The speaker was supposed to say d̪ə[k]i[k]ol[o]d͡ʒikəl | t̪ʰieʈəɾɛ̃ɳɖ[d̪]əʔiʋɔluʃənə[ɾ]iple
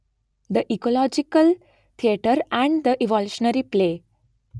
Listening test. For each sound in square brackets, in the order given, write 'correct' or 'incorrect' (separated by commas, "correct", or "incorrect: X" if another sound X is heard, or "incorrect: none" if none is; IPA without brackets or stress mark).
incorrect: ʔ, correct, incorrect: ɔ, correct, correct